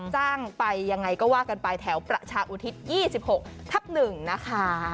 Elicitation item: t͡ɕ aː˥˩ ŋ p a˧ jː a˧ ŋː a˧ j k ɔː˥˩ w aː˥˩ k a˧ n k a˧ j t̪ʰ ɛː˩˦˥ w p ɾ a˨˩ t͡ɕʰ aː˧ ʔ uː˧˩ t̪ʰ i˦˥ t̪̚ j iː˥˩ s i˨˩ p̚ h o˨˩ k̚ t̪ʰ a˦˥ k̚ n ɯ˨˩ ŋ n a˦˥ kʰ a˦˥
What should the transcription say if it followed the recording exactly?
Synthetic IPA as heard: t͡ɕ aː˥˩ ŋ p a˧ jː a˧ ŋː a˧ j k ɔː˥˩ w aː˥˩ k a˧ n p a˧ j t̪ʰ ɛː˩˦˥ w p ɾ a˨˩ t͡ɕʰ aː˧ ʔ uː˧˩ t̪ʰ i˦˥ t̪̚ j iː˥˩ s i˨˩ p̚ h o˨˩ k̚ t̪ʰ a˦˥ p̚ n ɯ˨˩ ŋ n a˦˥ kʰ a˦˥

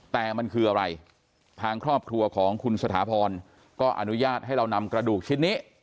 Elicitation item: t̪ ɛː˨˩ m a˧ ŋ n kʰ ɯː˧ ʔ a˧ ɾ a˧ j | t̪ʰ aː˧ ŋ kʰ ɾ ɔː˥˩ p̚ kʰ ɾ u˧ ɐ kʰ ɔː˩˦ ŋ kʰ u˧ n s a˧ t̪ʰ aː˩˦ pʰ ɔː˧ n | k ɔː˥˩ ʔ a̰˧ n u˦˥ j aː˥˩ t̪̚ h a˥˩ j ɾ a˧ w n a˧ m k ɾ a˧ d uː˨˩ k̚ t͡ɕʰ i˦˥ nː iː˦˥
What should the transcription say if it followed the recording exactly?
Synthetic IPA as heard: t̪ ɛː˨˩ m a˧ n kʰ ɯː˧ ʔ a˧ ɾ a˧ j | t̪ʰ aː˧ ŋ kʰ ɾ ɔː˥˩ p̚ kʰ ɾ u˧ ɐ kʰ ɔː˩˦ ŋ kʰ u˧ n s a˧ t̪ʰ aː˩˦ pʰ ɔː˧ n | k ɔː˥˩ ʔ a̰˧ n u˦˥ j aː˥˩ t̪̚ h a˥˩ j ɾ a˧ w n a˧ m k ɾ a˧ d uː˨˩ k̚ t͡ɕʰ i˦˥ nː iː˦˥

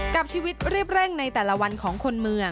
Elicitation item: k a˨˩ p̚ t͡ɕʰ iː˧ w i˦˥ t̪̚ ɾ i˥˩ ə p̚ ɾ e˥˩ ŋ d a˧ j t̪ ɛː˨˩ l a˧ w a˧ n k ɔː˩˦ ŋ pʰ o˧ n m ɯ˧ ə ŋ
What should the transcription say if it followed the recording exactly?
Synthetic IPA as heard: k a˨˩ p̚ t͡ɕʰ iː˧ w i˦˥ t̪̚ ɾ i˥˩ ə p̚ ɾ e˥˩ ŋ n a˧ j t̪ ɛː˨˩ l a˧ w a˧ n kʰ ɔː˩˦ ŋ kʰ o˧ n m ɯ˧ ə ŋ

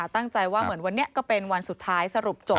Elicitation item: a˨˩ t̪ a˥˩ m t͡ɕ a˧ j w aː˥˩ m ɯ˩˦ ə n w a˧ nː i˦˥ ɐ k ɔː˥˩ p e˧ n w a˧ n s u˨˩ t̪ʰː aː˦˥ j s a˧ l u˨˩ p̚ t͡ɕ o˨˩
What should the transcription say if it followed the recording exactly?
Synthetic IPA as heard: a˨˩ t̪ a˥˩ ŋ t͡ɕ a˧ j w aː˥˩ m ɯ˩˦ ə n w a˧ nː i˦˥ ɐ k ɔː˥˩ p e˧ n w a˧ n s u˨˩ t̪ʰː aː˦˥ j s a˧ ɾ u˨˩ p̚ t͡ɕ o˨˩

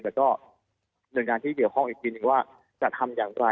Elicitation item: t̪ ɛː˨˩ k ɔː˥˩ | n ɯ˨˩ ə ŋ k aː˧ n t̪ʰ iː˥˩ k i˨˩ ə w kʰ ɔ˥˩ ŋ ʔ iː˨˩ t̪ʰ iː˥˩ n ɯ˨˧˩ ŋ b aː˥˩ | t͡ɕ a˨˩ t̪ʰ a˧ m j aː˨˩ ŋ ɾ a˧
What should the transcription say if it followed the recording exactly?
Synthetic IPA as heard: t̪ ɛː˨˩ k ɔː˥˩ | n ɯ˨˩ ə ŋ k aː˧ n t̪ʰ iː˥˩ k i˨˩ ə w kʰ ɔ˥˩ ŋ ʔ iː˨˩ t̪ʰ iː˧ n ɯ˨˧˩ ŋ w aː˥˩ | t͡ɕ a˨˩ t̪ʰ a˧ m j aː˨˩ ŋ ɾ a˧

